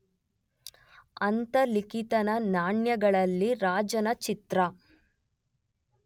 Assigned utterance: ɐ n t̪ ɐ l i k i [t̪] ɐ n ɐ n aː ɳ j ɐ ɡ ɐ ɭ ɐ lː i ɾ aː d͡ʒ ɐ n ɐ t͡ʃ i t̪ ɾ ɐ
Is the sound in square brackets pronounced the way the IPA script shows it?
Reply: yes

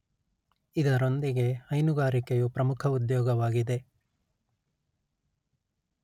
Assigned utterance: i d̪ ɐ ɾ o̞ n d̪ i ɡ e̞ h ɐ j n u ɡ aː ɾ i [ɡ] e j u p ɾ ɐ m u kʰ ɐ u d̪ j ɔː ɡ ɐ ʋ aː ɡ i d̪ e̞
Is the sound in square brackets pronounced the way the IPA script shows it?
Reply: no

